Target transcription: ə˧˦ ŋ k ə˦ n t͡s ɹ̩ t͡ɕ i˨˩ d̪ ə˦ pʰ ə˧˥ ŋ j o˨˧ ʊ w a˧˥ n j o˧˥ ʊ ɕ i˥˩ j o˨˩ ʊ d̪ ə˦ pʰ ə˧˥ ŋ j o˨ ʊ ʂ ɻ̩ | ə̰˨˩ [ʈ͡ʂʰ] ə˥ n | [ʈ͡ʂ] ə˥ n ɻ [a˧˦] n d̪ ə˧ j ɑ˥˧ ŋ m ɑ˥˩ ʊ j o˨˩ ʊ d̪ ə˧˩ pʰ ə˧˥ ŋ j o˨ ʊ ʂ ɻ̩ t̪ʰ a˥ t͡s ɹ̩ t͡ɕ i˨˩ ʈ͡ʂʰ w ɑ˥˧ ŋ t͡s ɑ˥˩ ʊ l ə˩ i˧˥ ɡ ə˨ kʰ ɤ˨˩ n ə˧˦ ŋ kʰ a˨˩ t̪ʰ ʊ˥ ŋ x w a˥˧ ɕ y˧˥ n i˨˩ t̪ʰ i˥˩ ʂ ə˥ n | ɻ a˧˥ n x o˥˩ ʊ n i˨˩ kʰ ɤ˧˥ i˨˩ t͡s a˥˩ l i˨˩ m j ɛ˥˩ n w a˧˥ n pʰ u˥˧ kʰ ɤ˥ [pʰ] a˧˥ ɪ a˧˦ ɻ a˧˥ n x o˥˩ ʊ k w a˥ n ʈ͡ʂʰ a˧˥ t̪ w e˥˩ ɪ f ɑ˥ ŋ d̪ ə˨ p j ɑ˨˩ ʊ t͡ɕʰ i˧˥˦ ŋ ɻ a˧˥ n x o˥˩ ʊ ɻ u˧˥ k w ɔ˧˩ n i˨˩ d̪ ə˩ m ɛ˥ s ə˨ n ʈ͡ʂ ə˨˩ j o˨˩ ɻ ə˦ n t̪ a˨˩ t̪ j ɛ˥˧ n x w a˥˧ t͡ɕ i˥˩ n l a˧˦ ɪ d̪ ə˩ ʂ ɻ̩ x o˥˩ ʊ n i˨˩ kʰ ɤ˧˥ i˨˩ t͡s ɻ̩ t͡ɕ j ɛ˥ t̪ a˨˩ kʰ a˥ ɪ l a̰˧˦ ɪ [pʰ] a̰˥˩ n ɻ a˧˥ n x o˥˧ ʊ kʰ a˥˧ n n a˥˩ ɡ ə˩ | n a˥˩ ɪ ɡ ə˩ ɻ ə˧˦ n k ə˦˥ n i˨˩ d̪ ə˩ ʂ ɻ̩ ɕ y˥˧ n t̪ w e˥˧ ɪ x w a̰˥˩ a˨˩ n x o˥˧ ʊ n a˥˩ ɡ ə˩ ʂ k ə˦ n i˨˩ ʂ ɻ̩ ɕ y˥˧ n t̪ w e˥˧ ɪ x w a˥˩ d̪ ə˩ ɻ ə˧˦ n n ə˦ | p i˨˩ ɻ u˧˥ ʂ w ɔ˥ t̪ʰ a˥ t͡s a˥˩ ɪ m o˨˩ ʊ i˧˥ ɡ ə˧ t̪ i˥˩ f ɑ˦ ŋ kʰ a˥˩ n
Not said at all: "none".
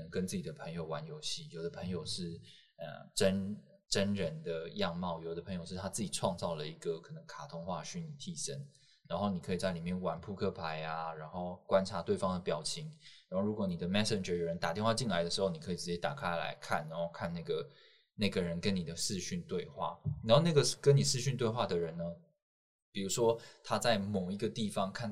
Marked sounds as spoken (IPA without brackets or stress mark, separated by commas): ʈ͡ʂ, ʈ͡ʂ, ə˧˦, pʰ, kʰ